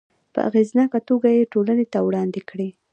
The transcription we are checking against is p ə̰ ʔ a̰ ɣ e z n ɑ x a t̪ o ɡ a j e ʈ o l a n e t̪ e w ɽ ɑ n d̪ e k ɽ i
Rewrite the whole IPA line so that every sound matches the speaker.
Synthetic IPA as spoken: p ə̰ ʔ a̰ ɣ e z n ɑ k a t̪ o ɡ a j e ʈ o l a n e t̪ a w ɽ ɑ n d̪ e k ɽ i